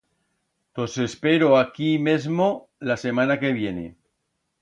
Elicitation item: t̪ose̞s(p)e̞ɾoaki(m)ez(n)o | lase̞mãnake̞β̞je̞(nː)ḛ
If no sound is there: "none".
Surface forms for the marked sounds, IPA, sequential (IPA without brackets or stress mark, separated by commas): p, m, m, n